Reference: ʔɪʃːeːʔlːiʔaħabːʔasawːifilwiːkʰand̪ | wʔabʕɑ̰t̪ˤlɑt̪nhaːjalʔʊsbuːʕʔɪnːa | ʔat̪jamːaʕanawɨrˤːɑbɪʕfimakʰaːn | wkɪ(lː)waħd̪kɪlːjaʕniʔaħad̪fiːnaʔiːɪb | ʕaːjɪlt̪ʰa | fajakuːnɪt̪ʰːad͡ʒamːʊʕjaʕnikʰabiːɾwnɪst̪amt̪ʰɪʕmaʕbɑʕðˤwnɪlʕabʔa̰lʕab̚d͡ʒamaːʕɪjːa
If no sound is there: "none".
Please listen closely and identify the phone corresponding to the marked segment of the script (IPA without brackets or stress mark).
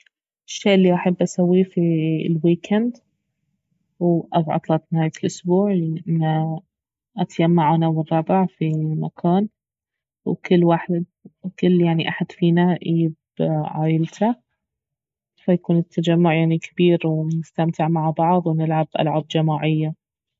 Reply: lː